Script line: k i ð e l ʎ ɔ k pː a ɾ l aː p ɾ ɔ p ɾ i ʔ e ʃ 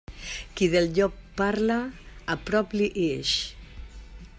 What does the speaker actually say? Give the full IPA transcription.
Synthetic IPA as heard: k i ð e l ʎ ɔ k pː a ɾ l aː p ɾ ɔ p l i ʔ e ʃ